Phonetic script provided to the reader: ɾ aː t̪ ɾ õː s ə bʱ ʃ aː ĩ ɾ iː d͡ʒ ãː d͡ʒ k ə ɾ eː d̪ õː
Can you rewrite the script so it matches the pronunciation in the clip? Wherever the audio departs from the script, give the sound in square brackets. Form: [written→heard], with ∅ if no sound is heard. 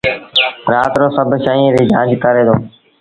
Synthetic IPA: ɾ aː t̪ ɾ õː s ə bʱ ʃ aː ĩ ɾ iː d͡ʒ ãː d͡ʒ k ə ɾ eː d̪ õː